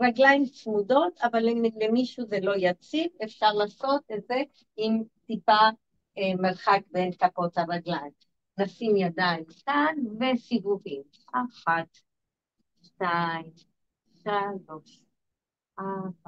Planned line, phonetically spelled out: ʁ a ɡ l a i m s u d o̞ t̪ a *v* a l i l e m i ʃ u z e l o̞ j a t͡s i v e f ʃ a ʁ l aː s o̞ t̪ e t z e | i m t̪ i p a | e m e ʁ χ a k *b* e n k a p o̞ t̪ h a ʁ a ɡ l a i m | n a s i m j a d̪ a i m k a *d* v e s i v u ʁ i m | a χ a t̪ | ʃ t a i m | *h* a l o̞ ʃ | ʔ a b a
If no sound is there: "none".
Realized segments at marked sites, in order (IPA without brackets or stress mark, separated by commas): v, b, n, ʃ